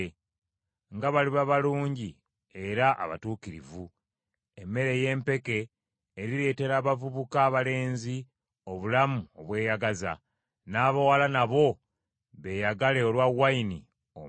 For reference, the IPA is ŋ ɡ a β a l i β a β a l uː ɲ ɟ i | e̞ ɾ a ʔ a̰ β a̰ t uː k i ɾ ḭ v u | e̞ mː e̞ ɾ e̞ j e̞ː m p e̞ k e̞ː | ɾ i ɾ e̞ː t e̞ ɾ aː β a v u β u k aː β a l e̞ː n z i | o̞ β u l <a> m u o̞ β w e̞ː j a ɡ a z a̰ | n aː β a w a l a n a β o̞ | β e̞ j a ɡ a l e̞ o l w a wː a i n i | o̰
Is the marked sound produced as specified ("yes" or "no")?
yes